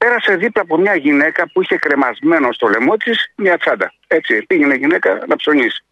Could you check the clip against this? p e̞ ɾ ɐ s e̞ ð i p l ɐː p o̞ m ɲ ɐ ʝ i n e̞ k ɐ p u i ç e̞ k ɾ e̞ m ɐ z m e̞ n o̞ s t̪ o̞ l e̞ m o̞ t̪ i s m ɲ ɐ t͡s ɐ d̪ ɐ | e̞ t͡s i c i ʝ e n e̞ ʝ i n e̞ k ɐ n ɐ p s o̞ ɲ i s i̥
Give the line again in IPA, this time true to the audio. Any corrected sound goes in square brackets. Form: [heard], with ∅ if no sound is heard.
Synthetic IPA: p e̞ ɾ ɐ s e̞ ð i p l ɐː p o̞ m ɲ ɐ ʝ i n e̞ k ɐ p u i ç e̞ k ɾ e̞ m ɐ z m e̞ n o̞ s t̪ o̞ l e̞ m o̞ t̪ i s m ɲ ɐ t͡s ɐ d̪ ɐ | e̞ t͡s i [p] i ʝ e n e̞ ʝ i n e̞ k ɐ n ɐ p s o̞ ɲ i s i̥